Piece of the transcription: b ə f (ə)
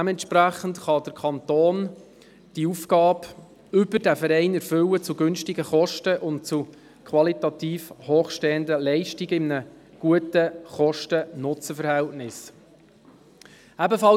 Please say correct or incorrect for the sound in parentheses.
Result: incorrect: ɑ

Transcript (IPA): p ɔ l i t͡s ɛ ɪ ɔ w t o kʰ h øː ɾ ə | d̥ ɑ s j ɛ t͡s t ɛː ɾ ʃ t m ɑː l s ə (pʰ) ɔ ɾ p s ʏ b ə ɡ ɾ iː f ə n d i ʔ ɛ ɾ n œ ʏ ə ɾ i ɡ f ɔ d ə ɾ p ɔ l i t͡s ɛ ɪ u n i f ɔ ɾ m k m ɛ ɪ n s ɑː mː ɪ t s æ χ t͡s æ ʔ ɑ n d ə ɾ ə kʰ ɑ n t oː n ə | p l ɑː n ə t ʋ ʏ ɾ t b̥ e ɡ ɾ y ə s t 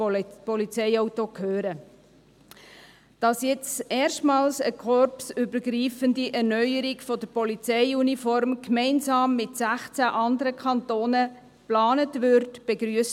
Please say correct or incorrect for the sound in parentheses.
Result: incorrect: kʰ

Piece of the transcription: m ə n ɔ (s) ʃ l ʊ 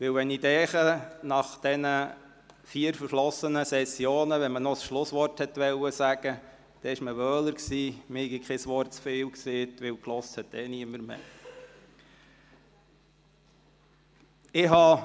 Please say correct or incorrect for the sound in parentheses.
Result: correct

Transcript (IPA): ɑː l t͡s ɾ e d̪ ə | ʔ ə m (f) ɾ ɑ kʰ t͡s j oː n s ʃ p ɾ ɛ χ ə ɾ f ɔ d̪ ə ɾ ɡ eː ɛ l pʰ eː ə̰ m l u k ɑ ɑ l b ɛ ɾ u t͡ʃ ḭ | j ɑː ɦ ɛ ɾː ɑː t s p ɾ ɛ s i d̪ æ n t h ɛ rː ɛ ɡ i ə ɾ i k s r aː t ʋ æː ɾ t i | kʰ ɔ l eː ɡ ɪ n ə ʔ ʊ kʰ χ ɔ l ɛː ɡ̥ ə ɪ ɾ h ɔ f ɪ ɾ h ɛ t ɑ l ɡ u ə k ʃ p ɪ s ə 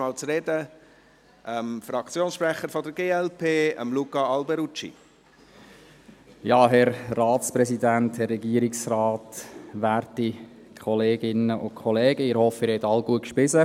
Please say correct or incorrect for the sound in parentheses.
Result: correct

